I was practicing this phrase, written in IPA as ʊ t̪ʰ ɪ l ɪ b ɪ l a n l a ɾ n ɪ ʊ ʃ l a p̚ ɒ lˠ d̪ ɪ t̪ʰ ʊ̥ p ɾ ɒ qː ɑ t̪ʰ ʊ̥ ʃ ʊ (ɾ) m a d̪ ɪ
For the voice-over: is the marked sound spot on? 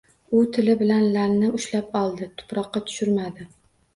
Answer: yes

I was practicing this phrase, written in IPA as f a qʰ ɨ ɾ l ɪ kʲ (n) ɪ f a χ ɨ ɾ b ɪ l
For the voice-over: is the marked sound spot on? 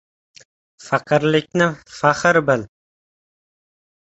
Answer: yes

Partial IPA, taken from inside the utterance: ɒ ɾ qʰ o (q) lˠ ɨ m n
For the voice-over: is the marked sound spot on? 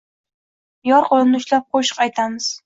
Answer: no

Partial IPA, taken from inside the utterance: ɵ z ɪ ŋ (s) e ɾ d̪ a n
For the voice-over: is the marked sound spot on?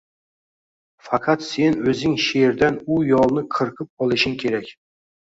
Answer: no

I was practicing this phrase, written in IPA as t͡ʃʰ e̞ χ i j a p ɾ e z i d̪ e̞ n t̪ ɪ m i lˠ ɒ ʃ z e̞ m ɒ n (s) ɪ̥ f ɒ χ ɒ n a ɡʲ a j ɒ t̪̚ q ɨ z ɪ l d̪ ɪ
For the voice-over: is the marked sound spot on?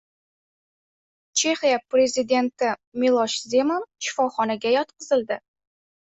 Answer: no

